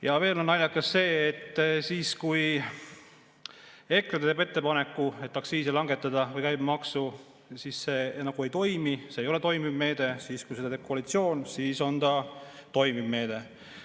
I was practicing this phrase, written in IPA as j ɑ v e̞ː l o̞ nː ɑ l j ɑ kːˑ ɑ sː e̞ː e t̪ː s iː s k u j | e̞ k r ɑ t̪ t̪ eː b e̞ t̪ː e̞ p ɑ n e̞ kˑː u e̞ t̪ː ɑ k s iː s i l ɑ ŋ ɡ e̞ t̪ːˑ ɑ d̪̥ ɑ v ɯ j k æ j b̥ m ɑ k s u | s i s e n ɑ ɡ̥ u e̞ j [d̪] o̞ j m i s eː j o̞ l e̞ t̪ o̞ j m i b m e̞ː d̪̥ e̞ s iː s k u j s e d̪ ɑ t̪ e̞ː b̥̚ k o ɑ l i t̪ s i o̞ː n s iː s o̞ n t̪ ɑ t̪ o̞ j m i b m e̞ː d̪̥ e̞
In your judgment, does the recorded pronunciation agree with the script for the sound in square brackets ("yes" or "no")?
no